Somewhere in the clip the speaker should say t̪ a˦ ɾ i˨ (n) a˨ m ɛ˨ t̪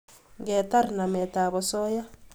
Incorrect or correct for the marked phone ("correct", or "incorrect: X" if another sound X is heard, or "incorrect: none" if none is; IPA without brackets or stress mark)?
correct